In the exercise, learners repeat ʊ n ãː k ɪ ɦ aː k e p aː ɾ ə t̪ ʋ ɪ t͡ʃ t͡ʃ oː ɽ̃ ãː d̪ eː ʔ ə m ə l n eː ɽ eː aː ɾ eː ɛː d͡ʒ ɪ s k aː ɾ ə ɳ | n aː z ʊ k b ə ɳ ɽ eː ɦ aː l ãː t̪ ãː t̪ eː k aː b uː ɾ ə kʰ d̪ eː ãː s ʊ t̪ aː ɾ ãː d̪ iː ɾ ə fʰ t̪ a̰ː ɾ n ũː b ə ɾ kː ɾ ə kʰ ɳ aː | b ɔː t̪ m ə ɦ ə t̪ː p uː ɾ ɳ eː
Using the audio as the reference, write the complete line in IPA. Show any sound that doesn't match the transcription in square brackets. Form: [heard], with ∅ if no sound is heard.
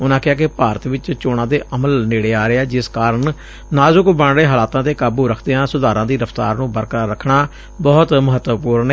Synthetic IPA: ʊ n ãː k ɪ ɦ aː k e p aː ɾ ə t̪ ʋ ɪ t͡ʃ t͡ʃ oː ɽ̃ ãː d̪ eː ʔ ə m ə l n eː ɽ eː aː ɾ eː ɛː d͡ʒ ɪ s k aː ɾ ə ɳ | n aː z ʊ k b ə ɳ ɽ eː ɦ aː l [aː] t̪ ãː t̪ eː k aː b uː ɾ ə kʰ d̪ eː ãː s ʊ [d̪] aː ɾ ãː d̪ iː ɾ ə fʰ t̪ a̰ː ɾ n ũː b ə ɾ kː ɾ ə kʰ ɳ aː | b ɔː t̪ m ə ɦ ə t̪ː p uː ɾ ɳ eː